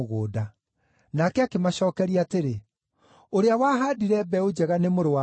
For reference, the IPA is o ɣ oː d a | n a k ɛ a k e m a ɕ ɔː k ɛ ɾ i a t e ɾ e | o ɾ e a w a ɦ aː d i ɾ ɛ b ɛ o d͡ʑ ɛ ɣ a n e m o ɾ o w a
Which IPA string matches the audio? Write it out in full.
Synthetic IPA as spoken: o ɣ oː d a | n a k ɛ a k e m a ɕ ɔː k ɛ ɾ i a t e ɾ e | o ɾ e a w a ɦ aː d i ɾ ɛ b ɛ o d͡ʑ ɛ ɣ a n e m o ɾ o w a